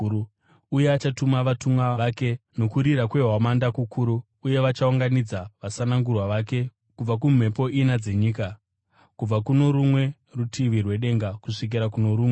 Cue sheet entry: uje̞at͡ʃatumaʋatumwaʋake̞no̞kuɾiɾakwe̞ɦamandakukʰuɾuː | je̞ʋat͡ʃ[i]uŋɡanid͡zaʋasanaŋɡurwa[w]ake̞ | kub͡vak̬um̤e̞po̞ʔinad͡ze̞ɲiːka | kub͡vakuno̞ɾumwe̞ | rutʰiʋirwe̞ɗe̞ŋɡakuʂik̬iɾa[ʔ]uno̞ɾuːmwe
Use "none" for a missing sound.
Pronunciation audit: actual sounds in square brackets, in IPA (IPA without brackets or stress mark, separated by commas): a, ʋ, k